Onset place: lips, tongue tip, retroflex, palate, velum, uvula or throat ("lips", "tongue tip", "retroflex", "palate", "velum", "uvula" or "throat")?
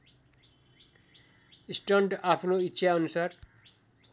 tongue tip